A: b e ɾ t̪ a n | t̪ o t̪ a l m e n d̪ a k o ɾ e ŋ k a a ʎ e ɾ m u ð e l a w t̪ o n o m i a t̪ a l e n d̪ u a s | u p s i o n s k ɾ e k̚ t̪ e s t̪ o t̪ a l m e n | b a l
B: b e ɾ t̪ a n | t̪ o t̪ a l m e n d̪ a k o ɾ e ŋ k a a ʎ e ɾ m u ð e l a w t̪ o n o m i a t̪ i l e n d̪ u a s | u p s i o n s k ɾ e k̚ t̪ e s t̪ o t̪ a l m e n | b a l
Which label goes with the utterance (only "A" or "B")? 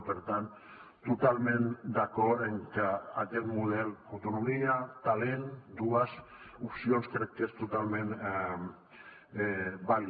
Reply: A